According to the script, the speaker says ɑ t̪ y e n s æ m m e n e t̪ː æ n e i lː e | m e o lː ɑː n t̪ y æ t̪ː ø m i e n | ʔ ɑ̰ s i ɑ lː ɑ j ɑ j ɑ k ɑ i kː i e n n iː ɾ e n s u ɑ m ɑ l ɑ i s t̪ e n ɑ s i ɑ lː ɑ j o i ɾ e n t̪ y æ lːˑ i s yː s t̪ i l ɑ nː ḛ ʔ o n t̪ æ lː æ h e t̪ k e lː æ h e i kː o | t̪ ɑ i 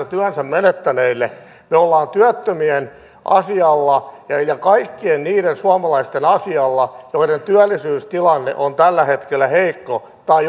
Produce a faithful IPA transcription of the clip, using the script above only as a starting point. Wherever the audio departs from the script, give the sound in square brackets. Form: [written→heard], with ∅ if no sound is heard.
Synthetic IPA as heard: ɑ t̪ y [e→æ] n s æ m m e n e t̪ː æ n e i lː e | m e o lː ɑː n t̪ y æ t̪ː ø m i e n | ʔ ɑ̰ s i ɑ lː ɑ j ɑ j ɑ k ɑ i kː i e n n iː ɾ e n s u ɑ m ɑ l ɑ i s t̪ e n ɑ s i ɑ lː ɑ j o i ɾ e n t̪ y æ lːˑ i s yː s t̪ i l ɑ nː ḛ ʔ o n t̪ æ lː æ h e t̪ k e lː æ h e i kː o | t̪ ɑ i